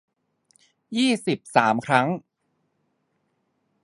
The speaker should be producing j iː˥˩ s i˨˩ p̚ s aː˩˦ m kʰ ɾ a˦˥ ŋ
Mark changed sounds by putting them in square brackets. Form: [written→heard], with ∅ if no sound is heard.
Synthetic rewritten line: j iː˥˩ s i˨˩ p̚ s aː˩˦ m kʰ ɾ a˦˥ ŋ